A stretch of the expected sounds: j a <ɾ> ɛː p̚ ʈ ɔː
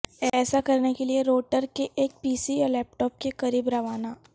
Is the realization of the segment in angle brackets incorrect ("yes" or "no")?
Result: yes